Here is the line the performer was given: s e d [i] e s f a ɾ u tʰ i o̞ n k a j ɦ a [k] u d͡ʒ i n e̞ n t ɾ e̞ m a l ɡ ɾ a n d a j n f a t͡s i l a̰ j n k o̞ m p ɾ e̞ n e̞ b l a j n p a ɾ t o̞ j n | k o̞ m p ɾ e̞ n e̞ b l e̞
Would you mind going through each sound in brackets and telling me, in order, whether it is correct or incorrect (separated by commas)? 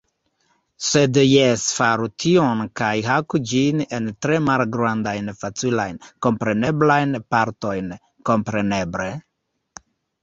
incorrect, correct